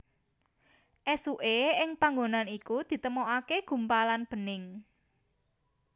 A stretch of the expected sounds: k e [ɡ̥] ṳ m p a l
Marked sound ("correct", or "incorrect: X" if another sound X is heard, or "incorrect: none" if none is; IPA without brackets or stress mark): correct